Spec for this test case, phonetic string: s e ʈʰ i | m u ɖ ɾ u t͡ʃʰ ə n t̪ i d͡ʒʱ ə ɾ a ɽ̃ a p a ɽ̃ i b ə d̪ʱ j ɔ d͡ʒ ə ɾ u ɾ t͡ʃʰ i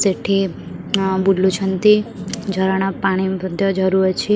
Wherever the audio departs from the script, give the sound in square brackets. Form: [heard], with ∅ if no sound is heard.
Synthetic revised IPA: s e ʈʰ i | [b] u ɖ [l] u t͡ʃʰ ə n t̪ i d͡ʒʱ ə ɾ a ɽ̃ a p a ɽ̃ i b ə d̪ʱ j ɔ d͡ʒ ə ɾ u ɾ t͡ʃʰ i